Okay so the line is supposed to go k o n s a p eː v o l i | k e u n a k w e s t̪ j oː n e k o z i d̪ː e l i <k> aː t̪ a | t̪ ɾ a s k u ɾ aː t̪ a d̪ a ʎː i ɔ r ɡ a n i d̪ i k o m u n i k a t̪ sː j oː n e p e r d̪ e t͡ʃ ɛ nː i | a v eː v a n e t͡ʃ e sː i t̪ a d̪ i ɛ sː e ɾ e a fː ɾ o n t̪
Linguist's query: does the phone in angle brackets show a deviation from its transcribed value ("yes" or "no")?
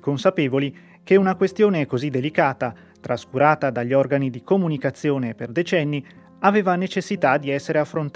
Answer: no